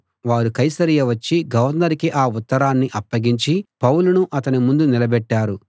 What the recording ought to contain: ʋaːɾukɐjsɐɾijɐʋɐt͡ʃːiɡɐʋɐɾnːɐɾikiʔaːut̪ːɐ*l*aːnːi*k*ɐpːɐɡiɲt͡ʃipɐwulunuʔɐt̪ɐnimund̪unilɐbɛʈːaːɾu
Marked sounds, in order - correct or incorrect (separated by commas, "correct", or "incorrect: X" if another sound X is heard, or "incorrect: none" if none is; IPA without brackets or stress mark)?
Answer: incorrect: ɾ, incorrect: ʔ